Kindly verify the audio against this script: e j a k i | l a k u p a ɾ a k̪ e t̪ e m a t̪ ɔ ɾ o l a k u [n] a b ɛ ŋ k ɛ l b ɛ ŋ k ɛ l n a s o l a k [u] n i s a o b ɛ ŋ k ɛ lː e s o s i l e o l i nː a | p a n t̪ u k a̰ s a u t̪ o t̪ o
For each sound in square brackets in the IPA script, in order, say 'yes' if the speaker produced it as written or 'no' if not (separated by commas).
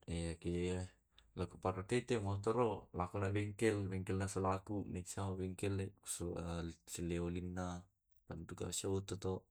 yes, yes